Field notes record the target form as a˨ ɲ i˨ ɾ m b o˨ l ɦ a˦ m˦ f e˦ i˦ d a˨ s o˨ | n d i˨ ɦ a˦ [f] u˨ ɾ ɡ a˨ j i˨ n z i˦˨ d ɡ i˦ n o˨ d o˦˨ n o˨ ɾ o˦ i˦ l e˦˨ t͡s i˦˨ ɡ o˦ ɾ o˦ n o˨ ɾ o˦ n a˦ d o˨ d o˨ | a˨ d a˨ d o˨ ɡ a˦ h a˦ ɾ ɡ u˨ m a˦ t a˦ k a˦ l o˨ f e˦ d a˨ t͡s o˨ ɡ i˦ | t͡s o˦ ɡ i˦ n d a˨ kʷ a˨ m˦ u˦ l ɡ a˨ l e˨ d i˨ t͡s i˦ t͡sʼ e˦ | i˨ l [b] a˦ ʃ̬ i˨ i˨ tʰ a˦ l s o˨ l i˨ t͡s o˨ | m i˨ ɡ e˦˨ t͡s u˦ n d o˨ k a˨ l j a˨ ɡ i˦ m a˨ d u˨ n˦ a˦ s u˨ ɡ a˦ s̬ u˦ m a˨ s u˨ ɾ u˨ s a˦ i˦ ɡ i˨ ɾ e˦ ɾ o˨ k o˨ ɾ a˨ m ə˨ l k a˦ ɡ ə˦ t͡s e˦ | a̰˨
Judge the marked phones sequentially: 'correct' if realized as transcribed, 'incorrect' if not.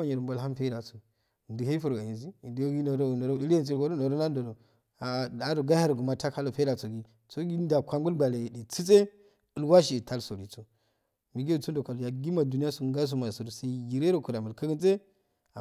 correct, incorrect: w

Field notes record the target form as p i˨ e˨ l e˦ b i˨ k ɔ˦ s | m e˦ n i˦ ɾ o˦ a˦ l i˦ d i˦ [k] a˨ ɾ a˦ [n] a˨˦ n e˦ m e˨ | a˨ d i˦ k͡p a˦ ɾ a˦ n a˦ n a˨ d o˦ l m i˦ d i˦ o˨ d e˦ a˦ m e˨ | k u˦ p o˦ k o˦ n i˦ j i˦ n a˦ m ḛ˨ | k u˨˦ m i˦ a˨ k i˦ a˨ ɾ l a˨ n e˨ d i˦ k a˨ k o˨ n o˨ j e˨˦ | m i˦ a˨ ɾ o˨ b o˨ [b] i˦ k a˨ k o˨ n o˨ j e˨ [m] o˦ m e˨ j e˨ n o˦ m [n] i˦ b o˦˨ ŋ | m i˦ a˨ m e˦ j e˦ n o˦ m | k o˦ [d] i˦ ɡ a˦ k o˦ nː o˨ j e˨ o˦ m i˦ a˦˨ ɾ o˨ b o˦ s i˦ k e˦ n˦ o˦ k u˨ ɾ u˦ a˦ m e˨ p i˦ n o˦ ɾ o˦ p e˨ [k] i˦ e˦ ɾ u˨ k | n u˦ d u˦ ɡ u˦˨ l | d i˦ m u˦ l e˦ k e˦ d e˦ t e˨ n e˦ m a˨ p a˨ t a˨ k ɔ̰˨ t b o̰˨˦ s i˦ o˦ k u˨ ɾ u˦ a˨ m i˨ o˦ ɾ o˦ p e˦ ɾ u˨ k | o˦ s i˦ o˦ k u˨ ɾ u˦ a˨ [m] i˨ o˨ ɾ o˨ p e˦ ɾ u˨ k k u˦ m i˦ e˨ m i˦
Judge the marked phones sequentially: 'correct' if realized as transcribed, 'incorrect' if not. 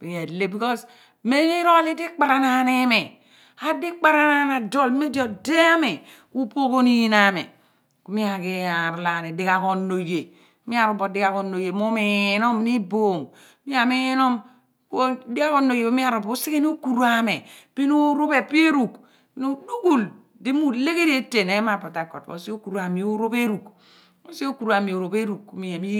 incorrect: k͡p, correct, incorrect: d, correct, correct, correct, incorrect: p, correct

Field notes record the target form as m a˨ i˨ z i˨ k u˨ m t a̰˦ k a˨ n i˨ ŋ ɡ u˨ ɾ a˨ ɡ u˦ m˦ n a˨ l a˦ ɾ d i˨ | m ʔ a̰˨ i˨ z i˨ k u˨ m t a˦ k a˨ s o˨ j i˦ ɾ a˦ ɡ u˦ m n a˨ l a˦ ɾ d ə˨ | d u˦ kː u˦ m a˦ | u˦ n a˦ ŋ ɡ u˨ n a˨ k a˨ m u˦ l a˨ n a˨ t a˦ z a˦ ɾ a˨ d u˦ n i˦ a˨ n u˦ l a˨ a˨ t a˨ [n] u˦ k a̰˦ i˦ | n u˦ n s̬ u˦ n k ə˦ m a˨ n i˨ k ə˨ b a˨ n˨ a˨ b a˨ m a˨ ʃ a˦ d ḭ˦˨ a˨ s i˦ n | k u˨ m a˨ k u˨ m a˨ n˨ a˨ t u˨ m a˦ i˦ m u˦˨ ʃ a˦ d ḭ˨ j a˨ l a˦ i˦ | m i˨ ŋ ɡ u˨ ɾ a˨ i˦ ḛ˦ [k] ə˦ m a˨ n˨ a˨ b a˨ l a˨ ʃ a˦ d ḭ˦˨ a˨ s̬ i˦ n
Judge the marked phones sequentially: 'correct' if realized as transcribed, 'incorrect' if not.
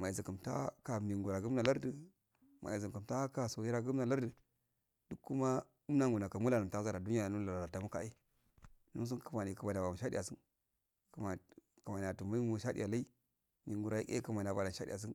incorrect: m, correct

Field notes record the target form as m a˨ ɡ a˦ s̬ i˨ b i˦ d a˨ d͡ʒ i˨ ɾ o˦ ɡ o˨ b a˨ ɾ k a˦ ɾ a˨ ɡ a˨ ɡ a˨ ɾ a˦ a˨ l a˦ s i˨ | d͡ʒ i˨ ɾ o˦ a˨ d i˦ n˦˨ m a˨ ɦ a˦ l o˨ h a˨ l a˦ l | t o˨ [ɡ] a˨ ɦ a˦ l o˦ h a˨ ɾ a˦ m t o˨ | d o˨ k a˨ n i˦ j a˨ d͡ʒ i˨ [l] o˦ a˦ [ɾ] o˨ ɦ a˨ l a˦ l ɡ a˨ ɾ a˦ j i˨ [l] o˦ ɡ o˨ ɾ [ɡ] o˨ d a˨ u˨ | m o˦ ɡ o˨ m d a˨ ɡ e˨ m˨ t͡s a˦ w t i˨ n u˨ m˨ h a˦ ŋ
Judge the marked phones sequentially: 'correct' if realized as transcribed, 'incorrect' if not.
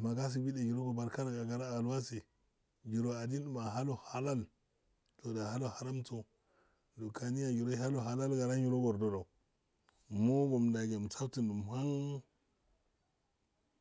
incorrect: d, incorrect: ɾ, incorrect: l, incorrect: ɾ, incorrect: d

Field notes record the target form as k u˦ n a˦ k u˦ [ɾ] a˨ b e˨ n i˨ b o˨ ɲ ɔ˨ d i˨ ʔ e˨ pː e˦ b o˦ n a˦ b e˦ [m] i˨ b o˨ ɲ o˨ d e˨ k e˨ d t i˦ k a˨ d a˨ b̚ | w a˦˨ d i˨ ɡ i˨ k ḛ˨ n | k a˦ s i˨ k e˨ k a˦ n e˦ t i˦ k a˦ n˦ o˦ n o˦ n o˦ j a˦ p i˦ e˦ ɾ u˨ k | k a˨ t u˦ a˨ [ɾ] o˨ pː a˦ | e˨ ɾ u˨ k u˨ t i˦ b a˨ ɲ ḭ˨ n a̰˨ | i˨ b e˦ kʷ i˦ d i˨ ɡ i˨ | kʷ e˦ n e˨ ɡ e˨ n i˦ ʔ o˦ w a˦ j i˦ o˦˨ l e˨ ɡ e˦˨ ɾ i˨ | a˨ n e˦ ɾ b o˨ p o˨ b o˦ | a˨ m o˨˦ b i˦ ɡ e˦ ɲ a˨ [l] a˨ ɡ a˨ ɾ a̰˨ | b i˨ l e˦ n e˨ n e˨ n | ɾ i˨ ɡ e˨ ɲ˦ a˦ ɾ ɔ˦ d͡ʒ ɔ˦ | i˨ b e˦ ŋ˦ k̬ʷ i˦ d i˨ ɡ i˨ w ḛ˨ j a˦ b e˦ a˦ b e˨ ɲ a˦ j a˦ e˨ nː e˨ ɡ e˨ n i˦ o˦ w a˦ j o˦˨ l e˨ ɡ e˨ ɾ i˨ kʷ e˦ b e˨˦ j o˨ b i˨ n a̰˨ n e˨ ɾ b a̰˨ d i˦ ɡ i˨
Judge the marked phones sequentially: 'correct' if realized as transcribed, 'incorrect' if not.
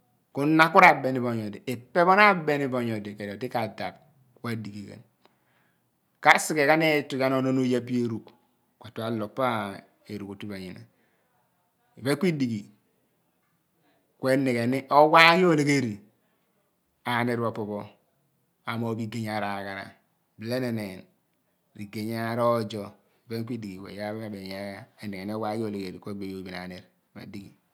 correct, incorrect: n, incorrect: l, incorrect: ɾ

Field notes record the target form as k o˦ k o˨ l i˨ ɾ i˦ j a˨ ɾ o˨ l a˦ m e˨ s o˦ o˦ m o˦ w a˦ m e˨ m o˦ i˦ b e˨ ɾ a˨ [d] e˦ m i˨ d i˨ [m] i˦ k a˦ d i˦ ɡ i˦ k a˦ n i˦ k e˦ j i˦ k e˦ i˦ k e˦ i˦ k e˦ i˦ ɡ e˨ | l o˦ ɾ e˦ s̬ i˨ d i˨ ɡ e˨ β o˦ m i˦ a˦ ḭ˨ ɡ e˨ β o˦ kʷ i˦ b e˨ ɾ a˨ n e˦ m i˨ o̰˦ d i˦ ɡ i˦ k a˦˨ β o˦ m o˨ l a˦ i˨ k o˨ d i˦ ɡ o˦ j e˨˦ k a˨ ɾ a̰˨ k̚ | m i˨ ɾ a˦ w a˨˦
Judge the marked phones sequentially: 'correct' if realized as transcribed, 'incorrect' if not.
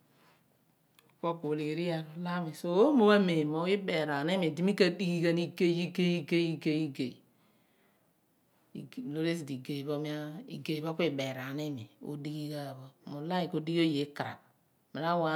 incorrect: n, correct

